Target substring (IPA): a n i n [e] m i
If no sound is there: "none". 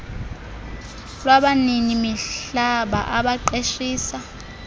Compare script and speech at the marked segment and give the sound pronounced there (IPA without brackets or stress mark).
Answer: i